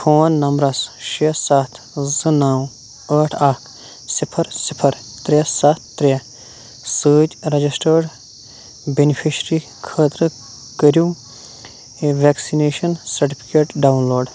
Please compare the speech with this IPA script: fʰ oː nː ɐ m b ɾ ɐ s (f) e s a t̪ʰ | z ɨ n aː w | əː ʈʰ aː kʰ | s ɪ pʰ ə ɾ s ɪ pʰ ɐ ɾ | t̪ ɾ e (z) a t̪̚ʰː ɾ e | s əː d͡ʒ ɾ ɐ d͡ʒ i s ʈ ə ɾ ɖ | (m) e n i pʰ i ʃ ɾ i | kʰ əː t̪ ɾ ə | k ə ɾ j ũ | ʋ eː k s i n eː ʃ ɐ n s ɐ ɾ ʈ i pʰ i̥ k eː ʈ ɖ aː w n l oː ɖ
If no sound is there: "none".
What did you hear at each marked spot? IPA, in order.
ʃ, s, b

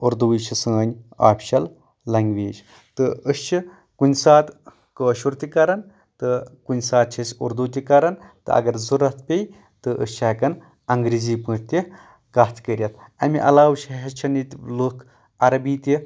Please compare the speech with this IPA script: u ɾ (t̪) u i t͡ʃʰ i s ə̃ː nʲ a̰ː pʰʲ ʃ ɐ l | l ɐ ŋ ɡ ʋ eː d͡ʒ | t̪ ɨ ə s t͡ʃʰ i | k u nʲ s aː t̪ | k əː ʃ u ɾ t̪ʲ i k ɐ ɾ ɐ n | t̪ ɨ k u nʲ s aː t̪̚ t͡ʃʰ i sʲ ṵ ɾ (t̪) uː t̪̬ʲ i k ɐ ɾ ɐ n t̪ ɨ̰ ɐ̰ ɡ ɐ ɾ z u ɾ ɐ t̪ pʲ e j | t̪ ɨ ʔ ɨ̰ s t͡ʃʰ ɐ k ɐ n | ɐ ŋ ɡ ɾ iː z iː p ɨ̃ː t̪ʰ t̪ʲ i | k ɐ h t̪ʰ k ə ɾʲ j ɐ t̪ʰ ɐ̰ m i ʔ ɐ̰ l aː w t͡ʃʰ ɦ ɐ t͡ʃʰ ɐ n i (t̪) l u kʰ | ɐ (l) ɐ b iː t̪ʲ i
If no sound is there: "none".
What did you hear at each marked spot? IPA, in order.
d̪, d̪, t̪, ɾ

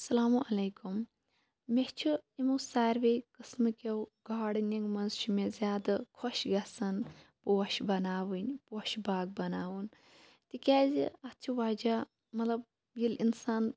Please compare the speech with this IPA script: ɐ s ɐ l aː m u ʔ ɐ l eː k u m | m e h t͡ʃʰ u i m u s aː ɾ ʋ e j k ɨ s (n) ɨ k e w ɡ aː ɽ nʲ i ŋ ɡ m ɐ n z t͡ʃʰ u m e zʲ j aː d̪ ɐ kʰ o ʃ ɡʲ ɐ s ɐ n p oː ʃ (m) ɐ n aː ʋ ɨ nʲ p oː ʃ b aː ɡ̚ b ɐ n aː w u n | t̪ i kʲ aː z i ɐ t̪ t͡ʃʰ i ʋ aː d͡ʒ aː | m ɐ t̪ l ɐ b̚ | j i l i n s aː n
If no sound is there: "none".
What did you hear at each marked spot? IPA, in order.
m, b

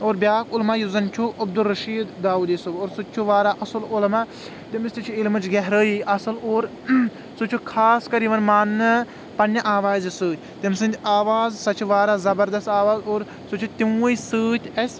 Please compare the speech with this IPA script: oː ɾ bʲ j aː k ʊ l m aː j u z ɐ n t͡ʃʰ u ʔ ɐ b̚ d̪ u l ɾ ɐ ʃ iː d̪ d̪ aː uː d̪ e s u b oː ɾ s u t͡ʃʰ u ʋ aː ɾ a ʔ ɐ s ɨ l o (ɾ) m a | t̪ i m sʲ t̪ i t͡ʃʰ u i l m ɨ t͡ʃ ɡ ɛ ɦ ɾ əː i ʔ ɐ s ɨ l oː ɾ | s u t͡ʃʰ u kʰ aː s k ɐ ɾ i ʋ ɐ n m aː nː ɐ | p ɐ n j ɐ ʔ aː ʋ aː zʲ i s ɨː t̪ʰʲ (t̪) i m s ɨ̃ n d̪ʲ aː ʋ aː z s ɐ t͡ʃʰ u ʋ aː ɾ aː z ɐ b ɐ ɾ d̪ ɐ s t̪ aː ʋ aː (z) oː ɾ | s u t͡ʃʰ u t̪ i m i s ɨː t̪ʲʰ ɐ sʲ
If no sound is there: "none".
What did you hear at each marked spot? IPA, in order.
l, t̪, z

